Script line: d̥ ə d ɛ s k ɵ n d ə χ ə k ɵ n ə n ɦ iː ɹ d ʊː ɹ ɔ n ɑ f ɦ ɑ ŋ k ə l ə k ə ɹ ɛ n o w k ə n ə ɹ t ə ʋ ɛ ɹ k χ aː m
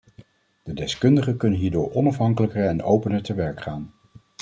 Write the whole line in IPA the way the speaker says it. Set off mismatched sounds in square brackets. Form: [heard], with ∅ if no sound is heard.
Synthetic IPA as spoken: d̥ ə d ɛ s k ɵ n d ə χ ə k ɵ n ə n ɦ iː ɹ d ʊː ɹ ɔ n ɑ f ɦ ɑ ŋ k ə l ə k ə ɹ ɛ n o w [p] ə n ə ɹ t ə ʋ ɛ ɹ k χ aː [n]